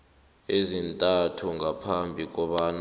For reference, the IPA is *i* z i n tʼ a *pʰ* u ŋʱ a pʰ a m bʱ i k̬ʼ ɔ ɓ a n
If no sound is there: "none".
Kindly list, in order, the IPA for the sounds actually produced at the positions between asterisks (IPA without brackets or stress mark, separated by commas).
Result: e, tʰ